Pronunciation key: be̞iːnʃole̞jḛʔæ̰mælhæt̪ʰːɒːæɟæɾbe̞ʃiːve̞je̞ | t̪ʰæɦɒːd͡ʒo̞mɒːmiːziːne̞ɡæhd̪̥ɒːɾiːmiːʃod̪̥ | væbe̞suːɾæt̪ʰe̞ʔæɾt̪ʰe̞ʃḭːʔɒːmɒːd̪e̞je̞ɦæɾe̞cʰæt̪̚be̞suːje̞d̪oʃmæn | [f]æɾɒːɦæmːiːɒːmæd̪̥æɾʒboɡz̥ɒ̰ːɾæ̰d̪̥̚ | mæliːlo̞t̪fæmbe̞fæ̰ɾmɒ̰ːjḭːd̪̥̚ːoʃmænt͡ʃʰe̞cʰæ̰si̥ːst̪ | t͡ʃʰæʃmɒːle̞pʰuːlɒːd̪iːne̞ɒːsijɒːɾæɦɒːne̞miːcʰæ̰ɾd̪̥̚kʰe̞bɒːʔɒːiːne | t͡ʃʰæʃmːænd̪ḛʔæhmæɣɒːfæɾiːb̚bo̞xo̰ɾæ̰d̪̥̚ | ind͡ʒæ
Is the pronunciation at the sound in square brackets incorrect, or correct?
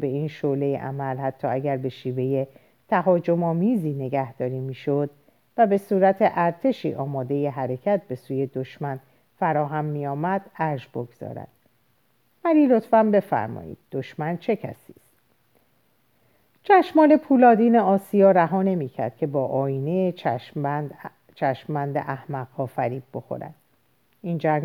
correct